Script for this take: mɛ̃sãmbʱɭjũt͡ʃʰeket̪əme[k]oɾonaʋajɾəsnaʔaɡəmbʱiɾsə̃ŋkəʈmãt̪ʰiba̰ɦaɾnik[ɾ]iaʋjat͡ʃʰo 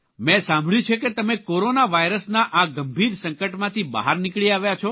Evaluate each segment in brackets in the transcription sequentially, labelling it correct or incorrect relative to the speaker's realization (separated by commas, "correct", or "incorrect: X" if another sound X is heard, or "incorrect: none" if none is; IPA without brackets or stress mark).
correct, incorrect: ɭ